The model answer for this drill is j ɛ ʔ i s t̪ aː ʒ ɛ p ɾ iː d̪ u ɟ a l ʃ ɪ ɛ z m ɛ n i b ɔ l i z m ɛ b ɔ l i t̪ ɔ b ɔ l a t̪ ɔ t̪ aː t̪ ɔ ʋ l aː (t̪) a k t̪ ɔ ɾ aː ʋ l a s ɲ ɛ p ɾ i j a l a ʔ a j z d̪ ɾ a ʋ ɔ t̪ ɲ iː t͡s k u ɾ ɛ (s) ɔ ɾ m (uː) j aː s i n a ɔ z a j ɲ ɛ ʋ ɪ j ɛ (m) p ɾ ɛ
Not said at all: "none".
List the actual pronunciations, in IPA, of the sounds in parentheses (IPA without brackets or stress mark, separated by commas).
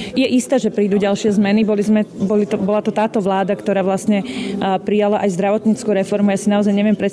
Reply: d̪, f, u, m